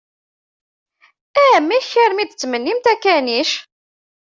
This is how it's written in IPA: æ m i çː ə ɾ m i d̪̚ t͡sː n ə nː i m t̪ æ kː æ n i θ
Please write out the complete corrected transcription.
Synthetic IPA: æ m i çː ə ɾ m i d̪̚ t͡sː m ə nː i m t̪ æ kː æ n i ʃ

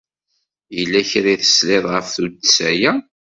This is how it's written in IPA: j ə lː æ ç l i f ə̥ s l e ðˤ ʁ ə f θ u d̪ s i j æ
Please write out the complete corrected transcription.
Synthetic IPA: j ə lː æ ç ɾ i θ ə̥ s l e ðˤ ʁ ə f θ u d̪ s æ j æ

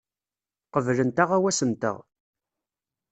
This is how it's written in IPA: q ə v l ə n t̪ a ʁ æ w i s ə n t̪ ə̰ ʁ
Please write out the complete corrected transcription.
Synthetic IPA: q ə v l ə n t̪ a ʁ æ w æ s ə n t̪ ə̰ ʁ

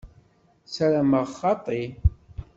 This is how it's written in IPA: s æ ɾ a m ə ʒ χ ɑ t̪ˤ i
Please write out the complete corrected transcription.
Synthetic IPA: s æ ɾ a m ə ʁ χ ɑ t̪ˤ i

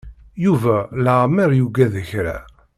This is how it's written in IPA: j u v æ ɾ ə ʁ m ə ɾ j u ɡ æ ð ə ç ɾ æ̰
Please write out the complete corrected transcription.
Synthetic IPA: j u v æ l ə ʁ m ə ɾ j u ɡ æ ð ə ç ɾ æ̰

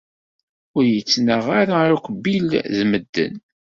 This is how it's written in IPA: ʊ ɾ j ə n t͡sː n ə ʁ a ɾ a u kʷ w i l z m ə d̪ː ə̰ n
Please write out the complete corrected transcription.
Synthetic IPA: ʊ ɾ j ə t͡sː n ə ʁ a ɾ a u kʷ b i l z m ə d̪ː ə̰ n

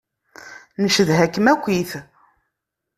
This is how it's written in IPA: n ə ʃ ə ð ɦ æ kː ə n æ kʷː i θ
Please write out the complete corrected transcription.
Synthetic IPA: n ə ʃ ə ð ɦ æ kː ə m æ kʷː i θ

